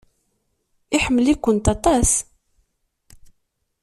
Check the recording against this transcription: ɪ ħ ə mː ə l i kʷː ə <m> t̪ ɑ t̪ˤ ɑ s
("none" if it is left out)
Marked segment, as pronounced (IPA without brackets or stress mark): n